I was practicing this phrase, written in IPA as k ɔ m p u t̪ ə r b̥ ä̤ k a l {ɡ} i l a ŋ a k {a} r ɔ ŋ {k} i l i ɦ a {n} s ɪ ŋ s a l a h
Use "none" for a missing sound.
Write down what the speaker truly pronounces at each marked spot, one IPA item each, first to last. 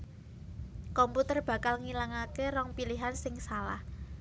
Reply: ŋ, e, p, n

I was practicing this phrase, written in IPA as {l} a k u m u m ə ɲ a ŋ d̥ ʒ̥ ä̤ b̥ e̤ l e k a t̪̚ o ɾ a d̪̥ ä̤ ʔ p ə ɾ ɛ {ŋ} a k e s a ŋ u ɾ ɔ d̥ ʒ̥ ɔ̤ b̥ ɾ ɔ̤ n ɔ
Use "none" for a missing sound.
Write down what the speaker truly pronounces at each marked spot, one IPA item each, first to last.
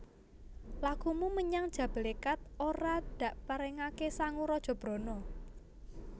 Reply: l, ŋ

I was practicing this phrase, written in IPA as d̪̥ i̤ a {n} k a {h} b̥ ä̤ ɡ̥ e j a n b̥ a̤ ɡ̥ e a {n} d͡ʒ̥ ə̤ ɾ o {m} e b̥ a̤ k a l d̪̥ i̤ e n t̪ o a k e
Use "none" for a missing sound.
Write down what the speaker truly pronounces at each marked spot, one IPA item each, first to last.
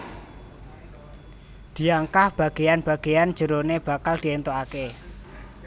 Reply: ŋ, h, n, n

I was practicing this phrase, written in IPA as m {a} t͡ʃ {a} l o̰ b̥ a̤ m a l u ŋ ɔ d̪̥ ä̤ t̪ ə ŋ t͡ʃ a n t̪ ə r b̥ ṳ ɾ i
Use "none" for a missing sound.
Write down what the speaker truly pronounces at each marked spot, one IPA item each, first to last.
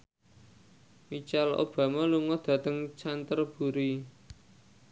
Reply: i, a

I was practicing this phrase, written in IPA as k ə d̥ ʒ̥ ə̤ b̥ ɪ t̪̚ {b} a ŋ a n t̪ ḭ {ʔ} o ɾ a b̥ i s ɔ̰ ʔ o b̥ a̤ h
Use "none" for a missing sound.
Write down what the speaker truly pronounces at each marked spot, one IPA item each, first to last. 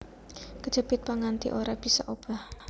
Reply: p, ʔ

